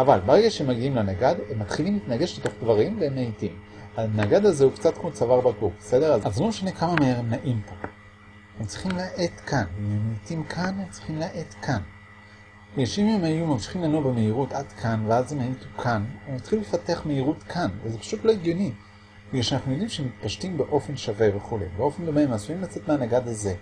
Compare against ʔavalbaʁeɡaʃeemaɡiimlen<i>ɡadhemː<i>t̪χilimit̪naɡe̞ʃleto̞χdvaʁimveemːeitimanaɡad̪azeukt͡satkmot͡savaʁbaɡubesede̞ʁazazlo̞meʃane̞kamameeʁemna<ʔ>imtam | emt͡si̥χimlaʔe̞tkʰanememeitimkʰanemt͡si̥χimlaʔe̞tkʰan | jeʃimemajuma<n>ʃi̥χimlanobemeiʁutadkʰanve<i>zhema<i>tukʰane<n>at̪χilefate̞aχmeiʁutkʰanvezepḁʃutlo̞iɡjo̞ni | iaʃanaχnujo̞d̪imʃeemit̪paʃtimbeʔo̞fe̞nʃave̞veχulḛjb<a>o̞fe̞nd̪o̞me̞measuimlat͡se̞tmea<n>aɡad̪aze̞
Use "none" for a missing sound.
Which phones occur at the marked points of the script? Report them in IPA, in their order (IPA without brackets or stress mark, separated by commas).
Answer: a, a, ʔ, m, a, i, m, e, n